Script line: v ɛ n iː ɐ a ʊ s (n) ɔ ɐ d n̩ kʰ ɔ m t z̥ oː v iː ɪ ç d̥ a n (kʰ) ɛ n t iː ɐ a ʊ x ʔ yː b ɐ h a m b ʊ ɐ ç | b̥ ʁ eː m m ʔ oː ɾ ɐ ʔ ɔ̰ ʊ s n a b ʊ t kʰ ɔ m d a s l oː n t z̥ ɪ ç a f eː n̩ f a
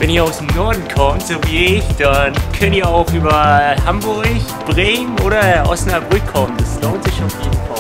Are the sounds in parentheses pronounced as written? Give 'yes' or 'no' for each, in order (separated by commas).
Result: yes, yes